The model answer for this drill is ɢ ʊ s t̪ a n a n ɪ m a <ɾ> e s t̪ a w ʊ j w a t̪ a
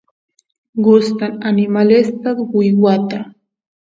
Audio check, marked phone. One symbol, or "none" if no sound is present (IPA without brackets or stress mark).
l